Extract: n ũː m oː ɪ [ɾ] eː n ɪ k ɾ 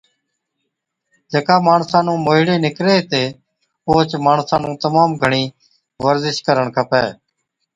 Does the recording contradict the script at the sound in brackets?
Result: yes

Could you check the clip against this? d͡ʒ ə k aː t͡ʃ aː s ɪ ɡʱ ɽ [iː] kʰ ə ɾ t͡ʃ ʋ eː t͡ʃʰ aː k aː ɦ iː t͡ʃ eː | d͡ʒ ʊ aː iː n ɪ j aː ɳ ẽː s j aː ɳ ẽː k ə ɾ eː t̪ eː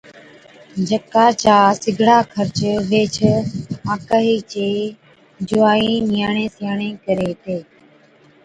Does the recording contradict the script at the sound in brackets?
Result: yes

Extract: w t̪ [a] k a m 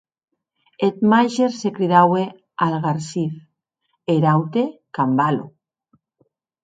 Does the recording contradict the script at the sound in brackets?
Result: yes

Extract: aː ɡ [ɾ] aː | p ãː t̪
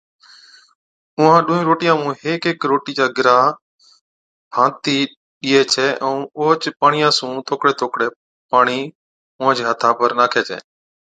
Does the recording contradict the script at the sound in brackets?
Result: no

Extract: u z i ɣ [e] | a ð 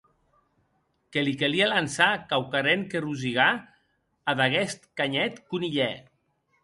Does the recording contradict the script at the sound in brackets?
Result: yes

